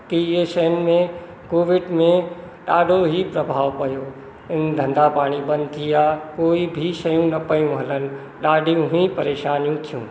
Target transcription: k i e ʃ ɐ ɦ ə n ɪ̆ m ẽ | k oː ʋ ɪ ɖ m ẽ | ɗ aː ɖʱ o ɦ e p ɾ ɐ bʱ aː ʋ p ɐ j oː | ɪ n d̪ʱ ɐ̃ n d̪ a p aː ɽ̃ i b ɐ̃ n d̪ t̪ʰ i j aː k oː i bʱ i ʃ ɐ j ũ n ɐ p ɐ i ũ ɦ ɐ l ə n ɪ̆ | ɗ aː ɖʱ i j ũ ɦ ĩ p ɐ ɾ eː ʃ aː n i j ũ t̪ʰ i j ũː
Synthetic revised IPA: k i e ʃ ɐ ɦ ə n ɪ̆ m ẽ | k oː ʋ ɪ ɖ m ẽ | ɗ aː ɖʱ o ɦ i p ɾ ɐ bʱ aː ʋ p ɐ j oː | ɪ n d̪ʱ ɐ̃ n d̪ a p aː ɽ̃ i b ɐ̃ n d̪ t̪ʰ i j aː k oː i bʱ i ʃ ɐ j ũ n ɐ p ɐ j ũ ɦ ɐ l ə n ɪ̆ | ɗ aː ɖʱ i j ũ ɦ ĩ p ɐ ɾ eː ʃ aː n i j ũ t̪ʰ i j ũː